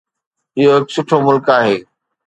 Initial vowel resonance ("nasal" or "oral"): oral